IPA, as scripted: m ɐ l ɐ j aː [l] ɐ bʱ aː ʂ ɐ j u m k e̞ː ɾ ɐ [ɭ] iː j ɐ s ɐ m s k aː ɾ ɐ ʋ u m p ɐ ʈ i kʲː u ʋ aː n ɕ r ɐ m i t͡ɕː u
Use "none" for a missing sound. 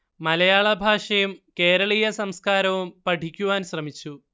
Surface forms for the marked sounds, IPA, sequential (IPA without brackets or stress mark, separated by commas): ɭ, ɭ